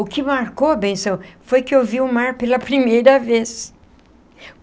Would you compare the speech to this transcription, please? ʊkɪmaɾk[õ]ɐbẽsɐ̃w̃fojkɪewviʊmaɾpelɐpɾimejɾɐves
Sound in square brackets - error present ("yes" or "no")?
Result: yes